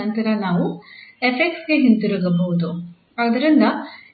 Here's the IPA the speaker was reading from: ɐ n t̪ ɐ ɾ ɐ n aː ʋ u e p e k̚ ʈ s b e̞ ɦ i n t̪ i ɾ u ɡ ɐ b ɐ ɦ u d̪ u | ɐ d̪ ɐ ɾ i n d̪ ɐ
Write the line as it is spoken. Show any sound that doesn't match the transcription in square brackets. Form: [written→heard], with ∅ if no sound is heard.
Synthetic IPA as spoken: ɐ n t̪ ɐ ɾ ɐ n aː ʋ u e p e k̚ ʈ s [b→ɡ] e̞ ɦ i n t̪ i ɾ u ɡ ɐ b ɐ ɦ u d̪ u | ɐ d̪ ɐ ɾ i n d̪ ɐ